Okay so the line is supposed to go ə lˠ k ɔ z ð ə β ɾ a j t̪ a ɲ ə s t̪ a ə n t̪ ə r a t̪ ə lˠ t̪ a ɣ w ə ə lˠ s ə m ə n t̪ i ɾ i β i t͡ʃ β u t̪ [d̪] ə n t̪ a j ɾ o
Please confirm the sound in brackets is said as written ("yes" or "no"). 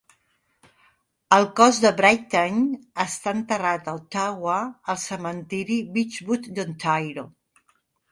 yes